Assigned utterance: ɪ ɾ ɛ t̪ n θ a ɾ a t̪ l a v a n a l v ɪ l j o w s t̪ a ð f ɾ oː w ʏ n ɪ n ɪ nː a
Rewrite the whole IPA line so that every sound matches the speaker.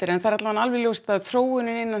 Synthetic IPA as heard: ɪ ɾ ɛ n θ a ɾ a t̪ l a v a n a l v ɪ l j o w s t̪ a ð θ ɾ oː w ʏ n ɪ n ɪ nː a